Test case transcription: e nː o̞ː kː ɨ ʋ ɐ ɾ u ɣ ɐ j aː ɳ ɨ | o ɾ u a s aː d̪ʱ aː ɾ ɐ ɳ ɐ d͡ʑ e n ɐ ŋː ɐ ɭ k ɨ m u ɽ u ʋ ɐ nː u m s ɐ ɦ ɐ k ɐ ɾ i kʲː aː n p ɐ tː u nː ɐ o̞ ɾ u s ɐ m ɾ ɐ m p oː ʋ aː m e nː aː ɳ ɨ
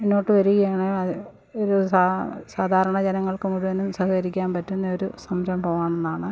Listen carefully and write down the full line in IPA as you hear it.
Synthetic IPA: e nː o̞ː ʈː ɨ ʋ ɐ ɾ u ɣ ɐ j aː ɳ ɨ | o ɾ u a s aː d̪ʱ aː ɾ ɐ ɳ ɐ d͡ʑ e n ɐ ŋː ɐ ɭ k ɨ m u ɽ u ʋ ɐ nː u m s ɐ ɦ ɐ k ɐ ɾ i kʲː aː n p ɐ tː u nː ɐ o̞ ɾ u s ɐ m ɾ ɐ m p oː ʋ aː ɳ e nː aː ɳ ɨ